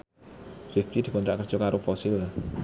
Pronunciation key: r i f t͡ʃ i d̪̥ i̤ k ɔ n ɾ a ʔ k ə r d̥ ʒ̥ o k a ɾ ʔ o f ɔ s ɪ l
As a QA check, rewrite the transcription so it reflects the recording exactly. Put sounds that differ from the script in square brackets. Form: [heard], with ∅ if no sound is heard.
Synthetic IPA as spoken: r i f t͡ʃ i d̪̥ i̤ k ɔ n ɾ a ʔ k ə r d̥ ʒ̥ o k a ɾ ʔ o f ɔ s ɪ l